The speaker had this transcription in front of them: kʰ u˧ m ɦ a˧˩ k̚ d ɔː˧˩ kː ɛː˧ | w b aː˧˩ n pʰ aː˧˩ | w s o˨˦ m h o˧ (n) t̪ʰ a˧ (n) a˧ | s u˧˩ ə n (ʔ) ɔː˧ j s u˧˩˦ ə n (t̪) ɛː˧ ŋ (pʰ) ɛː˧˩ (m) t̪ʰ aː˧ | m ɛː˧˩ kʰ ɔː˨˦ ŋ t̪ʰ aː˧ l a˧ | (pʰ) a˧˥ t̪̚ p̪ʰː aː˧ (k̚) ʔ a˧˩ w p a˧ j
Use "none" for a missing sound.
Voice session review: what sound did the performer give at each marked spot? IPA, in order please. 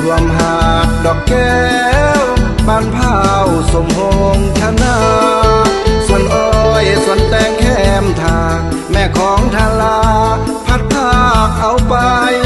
ŋ, n, ʔ, t̪, kʰ, m, pʰ, k̚

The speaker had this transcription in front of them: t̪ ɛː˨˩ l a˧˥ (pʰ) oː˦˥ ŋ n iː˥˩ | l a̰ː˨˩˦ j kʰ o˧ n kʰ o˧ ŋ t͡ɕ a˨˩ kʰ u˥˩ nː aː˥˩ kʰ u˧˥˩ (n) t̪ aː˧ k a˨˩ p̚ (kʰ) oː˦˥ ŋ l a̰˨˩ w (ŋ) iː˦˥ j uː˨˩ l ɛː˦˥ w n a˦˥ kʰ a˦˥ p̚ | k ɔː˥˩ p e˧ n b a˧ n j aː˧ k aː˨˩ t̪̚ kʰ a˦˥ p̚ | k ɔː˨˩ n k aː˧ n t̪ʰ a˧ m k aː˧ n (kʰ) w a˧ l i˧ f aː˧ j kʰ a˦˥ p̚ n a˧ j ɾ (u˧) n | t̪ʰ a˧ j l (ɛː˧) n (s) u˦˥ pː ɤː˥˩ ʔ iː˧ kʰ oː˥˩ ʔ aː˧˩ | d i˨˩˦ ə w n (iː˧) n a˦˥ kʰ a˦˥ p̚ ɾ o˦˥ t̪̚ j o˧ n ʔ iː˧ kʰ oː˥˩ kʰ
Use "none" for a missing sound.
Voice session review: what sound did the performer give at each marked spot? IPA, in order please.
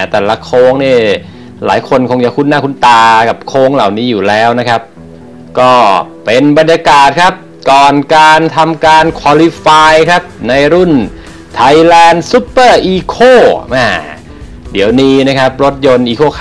kʰ, n, kʰ, n, kʰ, u˥˩, ɛː˧, s, iː˧

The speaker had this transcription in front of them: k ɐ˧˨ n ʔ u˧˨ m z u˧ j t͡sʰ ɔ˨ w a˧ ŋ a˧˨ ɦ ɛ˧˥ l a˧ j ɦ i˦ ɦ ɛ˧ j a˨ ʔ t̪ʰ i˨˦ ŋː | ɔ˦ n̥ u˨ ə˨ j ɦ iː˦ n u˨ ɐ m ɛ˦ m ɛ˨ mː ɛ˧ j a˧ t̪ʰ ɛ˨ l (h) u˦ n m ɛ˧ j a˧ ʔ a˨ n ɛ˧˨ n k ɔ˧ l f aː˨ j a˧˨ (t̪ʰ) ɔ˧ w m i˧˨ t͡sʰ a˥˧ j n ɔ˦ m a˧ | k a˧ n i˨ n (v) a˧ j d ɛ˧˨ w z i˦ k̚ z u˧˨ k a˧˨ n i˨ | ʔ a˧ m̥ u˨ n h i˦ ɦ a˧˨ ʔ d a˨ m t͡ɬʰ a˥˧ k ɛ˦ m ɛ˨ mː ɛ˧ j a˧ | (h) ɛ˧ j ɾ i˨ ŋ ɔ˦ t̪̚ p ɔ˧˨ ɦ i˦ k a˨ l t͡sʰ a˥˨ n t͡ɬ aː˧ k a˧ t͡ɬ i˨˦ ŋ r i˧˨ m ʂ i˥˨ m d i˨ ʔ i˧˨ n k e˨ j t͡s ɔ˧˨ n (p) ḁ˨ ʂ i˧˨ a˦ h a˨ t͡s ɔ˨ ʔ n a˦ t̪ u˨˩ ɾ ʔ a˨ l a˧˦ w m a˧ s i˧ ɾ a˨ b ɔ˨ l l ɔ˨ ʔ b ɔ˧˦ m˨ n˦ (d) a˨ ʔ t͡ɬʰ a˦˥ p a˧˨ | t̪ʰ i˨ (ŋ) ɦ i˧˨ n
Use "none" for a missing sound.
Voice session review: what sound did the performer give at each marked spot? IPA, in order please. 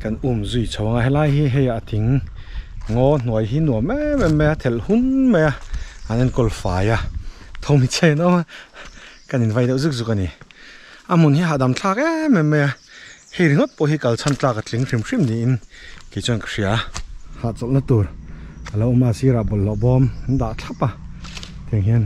h, t̪ʰ, v, h, k, d, ŋ

